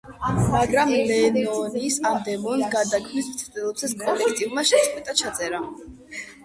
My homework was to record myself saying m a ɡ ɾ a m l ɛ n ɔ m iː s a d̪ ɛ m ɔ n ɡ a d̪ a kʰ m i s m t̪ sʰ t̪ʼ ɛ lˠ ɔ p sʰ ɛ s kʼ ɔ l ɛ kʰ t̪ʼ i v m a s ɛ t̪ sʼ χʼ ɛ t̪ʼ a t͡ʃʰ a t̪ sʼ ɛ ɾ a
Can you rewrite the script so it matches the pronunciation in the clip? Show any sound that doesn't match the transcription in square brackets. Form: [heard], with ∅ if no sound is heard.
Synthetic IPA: m a ɡ ɾ a m l ɛ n ɔ [n] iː s a d̪ ɛ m ɔ n ɡ a d̪ a kʰ m i s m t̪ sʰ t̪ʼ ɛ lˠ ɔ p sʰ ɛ s kʼ ɔ l ɛ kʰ t̪ʼ i v m a [ʃ] ɛ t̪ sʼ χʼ ɛ t̪ʼ a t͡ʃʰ a t̪ sʼ ɛ ɾ a